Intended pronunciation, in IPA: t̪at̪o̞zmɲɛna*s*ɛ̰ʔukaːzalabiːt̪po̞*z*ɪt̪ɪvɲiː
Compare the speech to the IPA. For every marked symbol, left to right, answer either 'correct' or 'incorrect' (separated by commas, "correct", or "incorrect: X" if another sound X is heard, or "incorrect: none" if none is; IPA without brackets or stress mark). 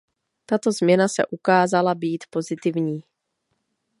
correct, correct